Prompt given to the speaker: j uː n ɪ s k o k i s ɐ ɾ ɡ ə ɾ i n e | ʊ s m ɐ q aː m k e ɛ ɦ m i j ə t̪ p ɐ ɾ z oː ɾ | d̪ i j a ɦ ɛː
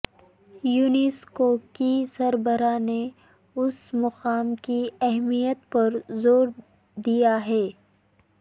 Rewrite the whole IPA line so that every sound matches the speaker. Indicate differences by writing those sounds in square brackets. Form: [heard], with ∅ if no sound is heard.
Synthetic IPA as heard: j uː n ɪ s k o k i s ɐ ɾ [b] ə ɾ [a] n e | ʊ s m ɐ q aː m k [i] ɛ ɦ m i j ə t̪ p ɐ ɾ z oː ɾ | d̪ i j a ɦ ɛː